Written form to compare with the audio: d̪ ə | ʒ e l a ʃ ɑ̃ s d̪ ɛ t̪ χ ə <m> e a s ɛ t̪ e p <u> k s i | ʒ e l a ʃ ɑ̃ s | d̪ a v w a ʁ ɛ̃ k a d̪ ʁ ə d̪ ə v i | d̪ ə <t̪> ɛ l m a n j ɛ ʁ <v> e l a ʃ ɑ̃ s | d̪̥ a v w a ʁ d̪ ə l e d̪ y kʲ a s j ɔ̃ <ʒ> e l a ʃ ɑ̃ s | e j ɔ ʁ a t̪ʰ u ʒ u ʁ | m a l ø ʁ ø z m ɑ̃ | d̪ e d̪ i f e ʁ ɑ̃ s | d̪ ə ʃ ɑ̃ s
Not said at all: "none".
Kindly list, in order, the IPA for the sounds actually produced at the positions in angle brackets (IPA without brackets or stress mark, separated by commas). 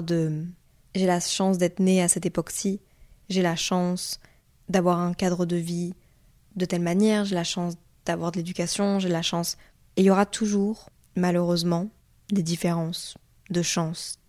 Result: n, ɔ, t̪, ʒ, ʒ